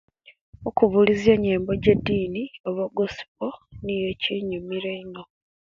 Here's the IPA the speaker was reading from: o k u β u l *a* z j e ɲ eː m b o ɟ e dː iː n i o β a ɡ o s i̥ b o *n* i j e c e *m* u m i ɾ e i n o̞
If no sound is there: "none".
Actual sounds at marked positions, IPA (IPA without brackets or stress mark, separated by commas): i, n, ɲ